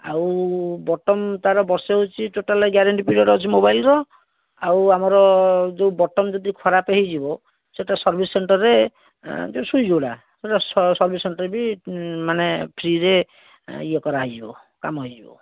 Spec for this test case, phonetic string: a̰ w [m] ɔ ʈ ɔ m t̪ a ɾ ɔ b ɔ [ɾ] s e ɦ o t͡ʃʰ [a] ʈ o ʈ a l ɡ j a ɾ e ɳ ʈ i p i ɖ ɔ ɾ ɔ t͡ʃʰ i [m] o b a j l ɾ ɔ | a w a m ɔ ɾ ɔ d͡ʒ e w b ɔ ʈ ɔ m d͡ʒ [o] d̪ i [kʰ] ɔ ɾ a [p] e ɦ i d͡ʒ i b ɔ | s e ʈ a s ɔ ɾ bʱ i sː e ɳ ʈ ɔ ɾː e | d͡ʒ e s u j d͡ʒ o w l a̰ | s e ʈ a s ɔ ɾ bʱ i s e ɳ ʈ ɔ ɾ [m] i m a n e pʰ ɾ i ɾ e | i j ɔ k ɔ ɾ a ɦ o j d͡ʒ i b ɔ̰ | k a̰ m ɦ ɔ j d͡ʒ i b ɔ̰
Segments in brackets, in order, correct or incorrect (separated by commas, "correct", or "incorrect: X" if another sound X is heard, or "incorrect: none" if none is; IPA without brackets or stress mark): incorrect: b, correct, incorrect: i, correct, incorrect: ɔ, correct, correct, incorrect: b